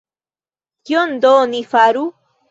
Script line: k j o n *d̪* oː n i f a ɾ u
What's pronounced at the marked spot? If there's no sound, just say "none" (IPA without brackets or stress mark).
d̪